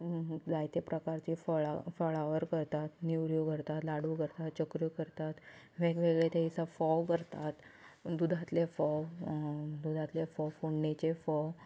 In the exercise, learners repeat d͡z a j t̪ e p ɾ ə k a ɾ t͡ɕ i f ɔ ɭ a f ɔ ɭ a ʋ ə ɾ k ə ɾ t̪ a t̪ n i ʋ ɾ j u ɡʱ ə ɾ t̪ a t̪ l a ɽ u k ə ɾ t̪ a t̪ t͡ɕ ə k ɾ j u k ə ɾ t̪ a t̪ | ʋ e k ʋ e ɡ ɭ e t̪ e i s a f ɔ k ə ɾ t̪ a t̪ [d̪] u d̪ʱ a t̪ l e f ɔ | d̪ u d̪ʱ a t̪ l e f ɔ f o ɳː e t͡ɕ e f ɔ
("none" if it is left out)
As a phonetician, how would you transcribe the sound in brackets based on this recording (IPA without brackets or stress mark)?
d̪